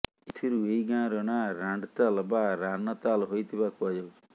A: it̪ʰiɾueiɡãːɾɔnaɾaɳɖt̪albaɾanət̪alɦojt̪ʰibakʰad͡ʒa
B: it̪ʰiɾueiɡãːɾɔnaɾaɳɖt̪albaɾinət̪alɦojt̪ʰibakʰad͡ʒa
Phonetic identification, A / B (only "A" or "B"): A